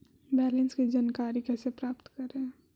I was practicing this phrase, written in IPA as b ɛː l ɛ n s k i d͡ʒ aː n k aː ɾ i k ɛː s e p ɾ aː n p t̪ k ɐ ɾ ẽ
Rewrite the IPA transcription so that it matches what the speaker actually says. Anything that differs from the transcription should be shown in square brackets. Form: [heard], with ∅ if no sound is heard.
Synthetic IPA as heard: b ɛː l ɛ n s k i d͡ʒ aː n k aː ɾ i k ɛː s e p ɾ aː [∅] p t̪ k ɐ ɾ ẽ